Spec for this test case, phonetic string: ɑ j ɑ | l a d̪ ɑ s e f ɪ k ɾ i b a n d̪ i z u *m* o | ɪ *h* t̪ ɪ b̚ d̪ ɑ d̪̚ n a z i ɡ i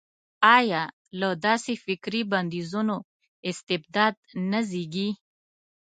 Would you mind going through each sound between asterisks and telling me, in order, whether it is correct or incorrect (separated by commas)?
incorrect, incorrect